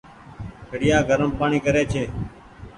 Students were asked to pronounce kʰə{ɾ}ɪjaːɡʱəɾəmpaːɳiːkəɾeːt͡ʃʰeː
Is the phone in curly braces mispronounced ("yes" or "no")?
yes